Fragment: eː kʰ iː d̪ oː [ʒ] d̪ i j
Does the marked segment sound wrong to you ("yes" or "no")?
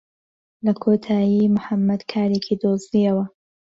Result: yes